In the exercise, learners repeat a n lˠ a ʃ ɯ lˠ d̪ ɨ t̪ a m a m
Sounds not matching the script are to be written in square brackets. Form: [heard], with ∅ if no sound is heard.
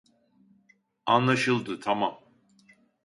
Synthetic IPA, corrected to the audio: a n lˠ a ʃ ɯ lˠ d̪ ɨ [t̪ʰ] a m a m